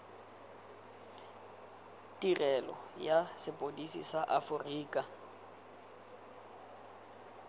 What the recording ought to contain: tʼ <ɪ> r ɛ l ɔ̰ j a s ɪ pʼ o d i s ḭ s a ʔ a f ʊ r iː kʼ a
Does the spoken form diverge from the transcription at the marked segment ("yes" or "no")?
yes